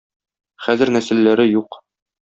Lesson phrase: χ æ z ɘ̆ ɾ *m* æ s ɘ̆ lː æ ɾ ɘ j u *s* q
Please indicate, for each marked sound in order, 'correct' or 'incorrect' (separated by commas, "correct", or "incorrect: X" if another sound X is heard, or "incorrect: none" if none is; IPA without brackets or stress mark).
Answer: incorrect: n, incorrect: none